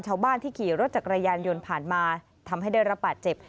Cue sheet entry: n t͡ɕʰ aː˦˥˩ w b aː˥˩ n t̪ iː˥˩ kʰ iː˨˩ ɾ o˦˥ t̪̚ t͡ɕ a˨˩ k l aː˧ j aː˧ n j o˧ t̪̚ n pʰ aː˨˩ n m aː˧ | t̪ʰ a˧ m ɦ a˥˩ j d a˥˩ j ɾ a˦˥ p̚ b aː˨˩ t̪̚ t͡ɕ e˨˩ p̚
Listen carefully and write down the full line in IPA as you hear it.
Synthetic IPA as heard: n t͡ɕʰ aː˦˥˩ w b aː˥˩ n t̪ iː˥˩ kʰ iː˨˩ ɾ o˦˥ t̪̚ t͡ɕ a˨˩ k ɾ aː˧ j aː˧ n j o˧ n pʰ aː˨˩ n m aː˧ | t̪ʰ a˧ m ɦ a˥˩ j d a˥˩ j ɾ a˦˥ p̚ b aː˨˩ t̪̚ t͡ɕ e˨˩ p̚